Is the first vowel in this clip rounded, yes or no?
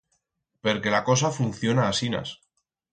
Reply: no